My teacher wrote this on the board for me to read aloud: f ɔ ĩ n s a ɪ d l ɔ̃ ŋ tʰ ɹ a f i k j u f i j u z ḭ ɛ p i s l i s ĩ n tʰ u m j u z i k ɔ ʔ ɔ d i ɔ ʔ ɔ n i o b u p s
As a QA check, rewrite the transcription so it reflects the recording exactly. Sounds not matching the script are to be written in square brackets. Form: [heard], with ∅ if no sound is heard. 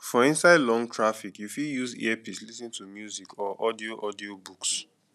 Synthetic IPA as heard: f ɔ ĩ n s a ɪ d l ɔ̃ ŋ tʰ ɹ a f i k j u f i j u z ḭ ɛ p i s l i s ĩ n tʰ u m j u z i k ɔ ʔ ɔ d i [o] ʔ ɔ [d] i o b u [k] s